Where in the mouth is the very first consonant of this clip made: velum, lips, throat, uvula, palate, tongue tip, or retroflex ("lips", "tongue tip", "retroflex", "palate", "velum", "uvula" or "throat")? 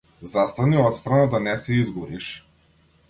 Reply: tongue tip